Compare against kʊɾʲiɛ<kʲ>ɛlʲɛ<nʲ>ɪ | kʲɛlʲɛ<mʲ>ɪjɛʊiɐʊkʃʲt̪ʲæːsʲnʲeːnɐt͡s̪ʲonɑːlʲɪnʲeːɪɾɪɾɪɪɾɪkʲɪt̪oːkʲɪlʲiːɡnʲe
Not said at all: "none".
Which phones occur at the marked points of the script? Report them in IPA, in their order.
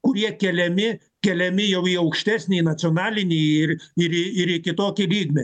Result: kʲ, mʲ, mʲ

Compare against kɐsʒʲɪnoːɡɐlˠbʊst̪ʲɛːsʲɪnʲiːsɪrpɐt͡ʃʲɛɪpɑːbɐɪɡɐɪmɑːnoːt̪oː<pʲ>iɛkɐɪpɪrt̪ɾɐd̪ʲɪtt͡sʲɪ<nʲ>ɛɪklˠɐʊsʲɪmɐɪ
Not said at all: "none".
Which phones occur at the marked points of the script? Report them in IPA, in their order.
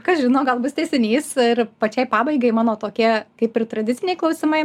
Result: kʲ, nʲ

